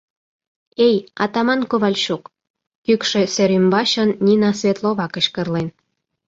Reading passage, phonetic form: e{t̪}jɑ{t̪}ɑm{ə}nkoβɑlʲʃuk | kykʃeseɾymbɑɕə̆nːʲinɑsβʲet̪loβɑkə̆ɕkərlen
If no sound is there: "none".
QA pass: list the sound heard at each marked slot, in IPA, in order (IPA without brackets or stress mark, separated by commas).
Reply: none, t̪, ɑ